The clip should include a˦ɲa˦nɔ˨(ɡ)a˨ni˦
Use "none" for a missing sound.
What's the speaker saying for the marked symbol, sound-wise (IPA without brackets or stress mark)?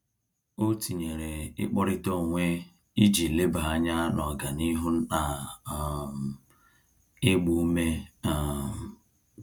ɡ